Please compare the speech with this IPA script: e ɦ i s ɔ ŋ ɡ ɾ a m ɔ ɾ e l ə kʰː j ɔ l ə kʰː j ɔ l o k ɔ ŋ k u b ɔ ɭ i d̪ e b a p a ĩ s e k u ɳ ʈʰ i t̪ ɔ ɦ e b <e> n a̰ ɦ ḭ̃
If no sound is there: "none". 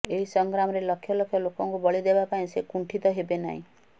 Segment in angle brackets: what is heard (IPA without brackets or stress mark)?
e